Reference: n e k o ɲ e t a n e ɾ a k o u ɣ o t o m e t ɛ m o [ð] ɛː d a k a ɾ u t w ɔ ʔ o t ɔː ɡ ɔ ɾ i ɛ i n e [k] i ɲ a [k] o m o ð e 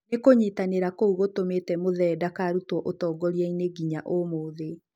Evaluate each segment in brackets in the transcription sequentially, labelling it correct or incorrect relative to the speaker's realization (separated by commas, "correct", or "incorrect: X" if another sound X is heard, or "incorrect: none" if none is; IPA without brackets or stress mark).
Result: correct, incorrect: ɡ, incorrect: ʔ